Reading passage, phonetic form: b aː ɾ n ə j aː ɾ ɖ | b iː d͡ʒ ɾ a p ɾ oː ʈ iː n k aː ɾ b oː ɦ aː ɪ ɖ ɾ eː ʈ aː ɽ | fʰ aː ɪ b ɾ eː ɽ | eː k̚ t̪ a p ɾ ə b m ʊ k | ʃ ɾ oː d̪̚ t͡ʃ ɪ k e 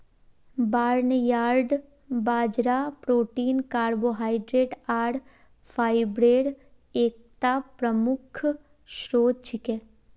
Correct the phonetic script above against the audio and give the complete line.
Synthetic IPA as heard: b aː ɾ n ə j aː ɾ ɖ | b aː d͡ʒ ɾ a p ɾ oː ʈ iː n k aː ɾ b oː ɦ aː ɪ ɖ ɾ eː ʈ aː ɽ | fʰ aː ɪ b ɾ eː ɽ | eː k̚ t̪ a p ɾ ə m ʊ kʰ | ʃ ɾ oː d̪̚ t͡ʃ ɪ k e

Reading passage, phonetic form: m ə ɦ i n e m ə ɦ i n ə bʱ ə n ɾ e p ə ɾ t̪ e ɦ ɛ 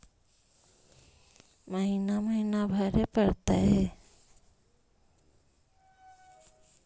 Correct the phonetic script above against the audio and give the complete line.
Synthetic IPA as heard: m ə ɦ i n a m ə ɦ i n a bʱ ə ɾ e p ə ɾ t̪ a ɦ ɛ

